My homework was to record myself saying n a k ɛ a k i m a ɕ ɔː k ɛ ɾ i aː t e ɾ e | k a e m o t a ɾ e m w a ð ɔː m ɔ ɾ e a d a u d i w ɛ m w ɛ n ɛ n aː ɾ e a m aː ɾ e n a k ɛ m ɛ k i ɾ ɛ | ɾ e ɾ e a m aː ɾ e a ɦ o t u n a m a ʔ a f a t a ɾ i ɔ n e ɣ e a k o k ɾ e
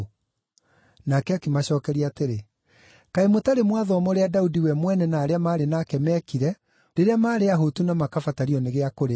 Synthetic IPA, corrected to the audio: n a k ɛ a k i m a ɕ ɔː k ɛ ɾ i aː t e ɾ e | k a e m o t a ɾ e m w a ð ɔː m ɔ ɾ e a d a u d i w ɛ m w ɛ n ɛ n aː ɾ e a m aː ɾ e n a k ɛ m ɛ k i ɾ ɛ | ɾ e ɾ e a m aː ɾ e a ɦ o t u n a m a k a f a t a ɾ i ɔ n e ɣ e a k o ɾ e